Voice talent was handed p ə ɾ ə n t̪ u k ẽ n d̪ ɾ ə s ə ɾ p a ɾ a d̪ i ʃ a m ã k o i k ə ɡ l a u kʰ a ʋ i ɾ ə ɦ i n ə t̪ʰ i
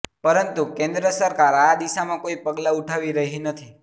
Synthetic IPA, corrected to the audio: p ə ɾ ə n t̪ u k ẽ n d̪ ɾ ə s ə ɾ k a ɾ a d̪ i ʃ a m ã k o i p ə ɡ l a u ʈʰ a ʋ i ɾ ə ɦ i n ə t̪ʰ i

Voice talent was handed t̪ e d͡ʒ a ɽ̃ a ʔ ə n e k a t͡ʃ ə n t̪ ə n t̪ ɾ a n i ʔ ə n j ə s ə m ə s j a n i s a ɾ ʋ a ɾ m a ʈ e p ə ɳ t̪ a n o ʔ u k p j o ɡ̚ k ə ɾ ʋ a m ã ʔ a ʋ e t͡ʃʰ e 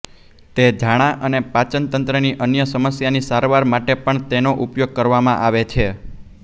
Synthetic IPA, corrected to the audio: t̪ e d͡ʒ a ɽ̃ a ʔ ə n e p a t͡ʃ ə n t̪ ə n t̪ ɾ ə n i ʔ ə n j ə s ə m ə s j a n i s a ɾ ʋ a ɾ m a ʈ e p ə ɳ t̪ e n o ʔ u p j o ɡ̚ k ə ɾ ʋ a m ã ʔ a ʋ e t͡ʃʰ e

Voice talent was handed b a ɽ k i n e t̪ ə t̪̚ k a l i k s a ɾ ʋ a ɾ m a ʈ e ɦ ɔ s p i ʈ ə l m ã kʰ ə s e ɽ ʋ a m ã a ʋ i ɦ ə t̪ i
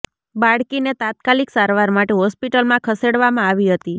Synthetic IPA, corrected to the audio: b a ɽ k i n e t̪ a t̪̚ k a l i k s a ɾ ʋ a ɾ m a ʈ e ɦ ɔ s p i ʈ ə l m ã kʰ ə s e ɽ ʋ a m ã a ʋ i ɦ ə t̪ i

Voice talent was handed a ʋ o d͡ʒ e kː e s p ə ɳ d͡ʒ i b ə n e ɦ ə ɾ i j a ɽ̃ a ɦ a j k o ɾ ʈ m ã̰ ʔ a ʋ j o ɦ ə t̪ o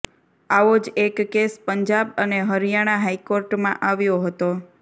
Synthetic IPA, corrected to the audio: a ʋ o d͡ʒ e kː e s p ə ɲ d͡ʒ a b ə n e ɦ ə ɾ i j a ɽ̃ a ɦ a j k o ɾ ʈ m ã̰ ʔ a ʋ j o ɦ ə t̪ o

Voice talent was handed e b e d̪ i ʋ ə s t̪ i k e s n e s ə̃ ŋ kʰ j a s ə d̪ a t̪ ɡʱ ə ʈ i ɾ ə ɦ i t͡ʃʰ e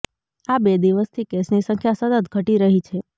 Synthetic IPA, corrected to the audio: a b e d̪ i ʋ ə s t̪ʰ i k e s n i s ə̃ ŋ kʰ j a s ə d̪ ə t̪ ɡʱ ə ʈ i ɾ ə ɦ i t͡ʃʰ e

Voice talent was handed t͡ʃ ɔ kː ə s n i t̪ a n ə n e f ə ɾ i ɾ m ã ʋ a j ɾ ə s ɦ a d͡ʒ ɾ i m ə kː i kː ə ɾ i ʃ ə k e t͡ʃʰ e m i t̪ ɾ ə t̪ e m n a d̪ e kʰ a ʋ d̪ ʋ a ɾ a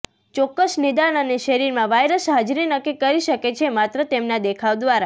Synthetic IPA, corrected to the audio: t͡ʃ ɔ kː ə s n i d̪ a n ə n e ʃ ə ɾ i ɾ m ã ʋ a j ɾ ə s ɦ a d͡ʒ ɾ i n ə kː i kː ə ɾ i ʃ ə k e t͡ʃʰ e m a t̪ ɾ ə t̪ e m n a d̪ e kʰ a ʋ d̪ ʋ a ɾ a

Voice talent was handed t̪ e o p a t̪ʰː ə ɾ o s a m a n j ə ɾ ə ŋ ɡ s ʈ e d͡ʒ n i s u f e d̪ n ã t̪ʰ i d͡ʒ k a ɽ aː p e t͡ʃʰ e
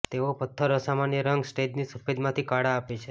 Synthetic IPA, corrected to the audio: t̪ e o p ə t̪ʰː ə ɾ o s a m a n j ə ɾ ə ŋ ɡ s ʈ e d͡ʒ n i s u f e d̪ m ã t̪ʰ i k a ɽ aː p e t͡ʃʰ e

